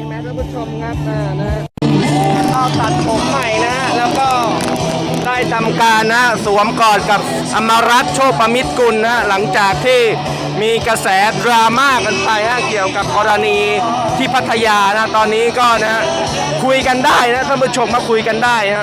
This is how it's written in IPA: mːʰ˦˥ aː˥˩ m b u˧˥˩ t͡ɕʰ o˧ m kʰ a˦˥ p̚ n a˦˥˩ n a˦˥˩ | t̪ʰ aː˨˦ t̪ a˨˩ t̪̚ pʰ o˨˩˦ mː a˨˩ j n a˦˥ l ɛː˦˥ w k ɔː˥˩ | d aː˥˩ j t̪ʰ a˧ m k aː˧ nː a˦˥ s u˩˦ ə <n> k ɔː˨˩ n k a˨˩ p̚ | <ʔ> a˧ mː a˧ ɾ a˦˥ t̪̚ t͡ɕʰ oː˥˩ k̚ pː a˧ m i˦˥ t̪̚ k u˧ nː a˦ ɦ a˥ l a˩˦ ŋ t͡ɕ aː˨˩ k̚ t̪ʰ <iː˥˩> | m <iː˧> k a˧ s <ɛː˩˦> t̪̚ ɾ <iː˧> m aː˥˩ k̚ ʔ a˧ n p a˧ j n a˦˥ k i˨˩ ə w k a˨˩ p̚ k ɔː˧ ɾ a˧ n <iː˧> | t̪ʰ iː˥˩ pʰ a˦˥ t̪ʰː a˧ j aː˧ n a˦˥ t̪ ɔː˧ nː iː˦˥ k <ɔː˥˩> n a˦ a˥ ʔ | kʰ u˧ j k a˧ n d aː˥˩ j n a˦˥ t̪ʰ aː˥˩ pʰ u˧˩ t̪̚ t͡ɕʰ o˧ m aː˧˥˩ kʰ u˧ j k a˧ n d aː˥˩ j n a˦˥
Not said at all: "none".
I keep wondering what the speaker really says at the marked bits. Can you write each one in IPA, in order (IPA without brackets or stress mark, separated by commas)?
m, ʔ, iː˥˩, iː˧, ɛː˩˦, aː˧, iː˧, ɔː˥˩